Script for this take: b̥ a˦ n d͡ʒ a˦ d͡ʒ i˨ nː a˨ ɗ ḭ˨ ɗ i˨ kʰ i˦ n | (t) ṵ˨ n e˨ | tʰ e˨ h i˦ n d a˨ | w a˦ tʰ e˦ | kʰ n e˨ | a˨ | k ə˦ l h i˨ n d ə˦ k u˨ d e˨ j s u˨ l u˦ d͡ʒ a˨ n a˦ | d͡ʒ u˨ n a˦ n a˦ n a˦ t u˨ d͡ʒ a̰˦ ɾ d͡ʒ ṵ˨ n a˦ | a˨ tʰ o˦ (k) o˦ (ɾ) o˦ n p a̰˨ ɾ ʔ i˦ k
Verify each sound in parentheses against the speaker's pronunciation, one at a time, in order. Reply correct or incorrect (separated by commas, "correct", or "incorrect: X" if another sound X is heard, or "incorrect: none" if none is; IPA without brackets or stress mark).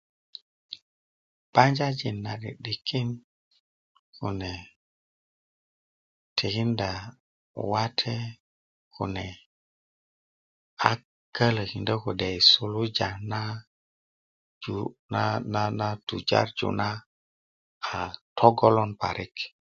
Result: incorrect: k, incorrect: ɡ, incorrect: l